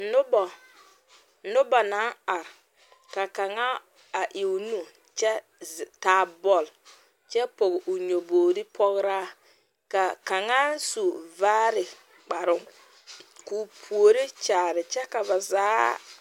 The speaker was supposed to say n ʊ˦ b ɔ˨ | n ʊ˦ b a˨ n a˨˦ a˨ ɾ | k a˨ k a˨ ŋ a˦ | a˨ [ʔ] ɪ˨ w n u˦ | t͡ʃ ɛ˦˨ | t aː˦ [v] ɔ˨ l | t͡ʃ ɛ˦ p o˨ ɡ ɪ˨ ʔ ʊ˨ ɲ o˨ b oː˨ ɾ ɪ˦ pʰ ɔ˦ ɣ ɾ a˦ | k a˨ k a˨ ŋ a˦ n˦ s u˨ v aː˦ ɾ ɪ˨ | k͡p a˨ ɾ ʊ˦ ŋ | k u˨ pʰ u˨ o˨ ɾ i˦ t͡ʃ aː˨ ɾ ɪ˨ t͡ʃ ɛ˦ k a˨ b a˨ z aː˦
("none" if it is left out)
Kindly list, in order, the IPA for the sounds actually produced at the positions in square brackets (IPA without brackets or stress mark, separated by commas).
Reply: ʔ, b